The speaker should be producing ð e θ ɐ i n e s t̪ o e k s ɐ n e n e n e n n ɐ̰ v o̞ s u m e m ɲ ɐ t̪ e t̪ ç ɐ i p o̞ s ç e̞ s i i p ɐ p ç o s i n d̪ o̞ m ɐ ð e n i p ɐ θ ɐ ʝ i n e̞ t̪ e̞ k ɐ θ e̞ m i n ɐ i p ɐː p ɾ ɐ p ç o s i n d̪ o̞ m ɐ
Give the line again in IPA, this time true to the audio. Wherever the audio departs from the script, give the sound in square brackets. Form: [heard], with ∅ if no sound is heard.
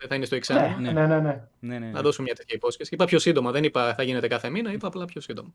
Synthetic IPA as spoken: ð e θ ɐ i n e s t̪ o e k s ɐ n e n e n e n n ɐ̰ [ð] o̞ s u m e m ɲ ɐ t̪ e t̪ ç ɐ i p o̞ s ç e̞ s i i p ɐ p ç o s i n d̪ o̞ m ɐ ð e n i p ɐ θ ɐ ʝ i n e̞ t̪ e̞ k ɐ θ e̞ m i n ɐ i p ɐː p [l] ɐ p ç o s i n d̪ o̞ m ɐ